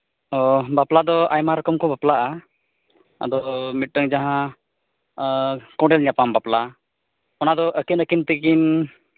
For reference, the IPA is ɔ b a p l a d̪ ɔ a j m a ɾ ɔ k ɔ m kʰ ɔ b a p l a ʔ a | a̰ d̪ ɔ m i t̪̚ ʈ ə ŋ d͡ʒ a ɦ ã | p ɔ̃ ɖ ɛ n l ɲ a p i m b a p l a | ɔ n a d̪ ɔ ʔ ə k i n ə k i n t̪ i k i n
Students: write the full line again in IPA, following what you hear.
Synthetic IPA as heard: ɔ b a p l a d̪ ɔ a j m a ɾ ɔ k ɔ m k ɔ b a p l a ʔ a | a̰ d̪ ɔ m i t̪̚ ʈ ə ŋ d͡ʒ a ɦ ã | k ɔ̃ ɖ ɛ l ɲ a p a m b a p l a | ɔ n a d̪ ɔ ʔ ə k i n ə k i n t̪ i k i n